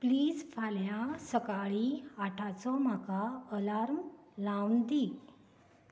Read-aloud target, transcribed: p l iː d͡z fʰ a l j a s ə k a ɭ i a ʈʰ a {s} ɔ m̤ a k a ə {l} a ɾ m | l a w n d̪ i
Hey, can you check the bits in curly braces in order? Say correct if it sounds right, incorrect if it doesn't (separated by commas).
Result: incorrect, correct